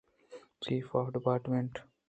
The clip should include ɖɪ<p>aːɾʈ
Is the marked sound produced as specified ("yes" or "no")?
yes